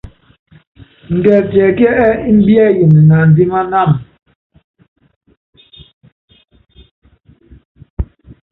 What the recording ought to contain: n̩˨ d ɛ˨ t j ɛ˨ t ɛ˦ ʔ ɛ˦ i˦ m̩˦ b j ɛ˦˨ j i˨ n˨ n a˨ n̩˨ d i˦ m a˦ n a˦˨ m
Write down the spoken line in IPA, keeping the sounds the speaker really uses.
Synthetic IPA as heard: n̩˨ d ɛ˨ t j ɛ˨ k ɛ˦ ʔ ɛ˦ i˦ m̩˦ b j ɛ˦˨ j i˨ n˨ n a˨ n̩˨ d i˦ m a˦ n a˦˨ m